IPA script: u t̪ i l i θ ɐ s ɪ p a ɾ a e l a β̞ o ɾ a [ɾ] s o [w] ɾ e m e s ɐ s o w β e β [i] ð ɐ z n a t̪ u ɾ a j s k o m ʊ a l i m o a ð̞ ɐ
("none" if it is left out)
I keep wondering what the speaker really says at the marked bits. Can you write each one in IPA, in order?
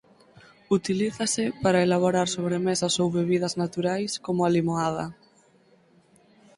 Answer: ɾ, β, i

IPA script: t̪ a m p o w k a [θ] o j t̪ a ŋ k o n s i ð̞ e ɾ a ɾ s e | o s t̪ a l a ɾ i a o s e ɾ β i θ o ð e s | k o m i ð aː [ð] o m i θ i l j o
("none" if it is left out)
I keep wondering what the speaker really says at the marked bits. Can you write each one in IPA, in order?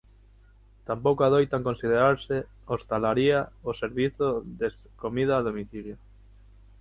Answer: ð, ð

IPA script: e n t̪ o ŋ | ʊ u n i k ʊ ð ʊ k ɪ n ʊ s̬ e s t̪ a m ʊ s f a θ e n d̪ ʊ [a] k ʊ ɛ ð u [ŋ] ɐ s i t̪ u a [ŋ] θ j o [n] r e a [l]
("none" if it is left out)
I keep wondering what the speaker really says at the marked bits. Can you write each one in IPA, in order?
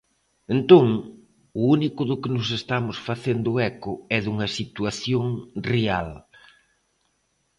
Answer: ɛ, ŋ, none, ŋ, l

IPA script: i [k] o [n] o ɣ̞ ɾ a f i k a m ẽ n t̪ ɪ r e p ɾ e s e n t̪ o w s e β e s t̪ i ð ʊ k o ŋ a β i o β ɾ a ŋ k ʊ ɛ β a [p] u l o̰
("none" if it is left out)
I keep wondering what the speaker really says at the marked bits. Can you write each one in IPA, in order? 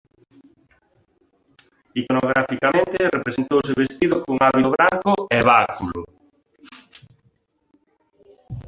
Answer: k, n, k

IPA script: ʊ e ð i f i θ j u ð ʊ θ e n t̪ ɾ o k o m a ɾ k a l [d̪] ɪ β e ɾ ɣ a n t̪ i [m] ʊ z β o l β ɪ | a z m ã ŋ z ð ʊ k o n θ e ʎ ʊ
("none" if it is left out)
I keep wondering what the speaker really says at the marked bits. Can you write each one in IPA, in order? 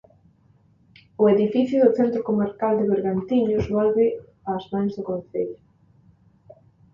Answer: d̪, ɲ

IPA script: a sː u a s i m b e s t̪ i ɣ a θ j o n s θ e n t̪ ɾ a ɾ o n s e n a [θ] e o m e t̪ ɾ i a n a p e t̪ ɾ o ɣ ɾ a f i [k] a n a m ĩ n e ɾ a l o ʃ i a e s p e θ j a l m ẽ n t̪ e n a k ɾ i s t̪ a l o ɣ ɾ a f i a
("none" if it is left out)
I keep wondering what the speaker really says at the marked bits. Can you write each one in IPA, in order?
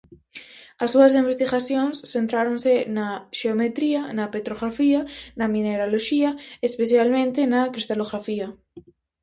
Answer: ʃ, none

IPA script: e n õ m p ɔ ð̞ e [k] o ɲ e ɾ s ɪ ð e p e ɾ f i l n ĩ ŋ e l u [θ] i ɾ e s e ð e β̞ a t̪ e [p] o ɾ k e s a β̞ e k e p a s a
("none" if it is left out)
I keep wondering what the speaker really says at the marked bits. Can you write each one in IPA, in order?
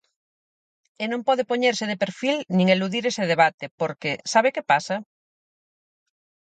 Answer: p, ð, p

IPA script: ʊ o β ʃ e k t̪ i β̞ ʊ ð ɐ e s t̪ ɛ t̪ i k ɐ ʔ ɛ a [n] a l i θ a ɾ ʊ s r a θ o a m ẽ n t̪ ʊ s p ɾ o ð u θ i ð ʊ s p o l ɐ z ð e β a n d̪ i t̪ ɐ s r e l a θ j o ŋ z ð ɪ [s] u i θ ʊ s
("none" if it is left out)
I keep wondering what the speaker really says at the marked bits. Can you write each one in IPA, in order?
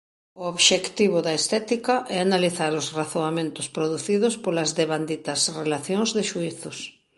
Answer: n, ʃ

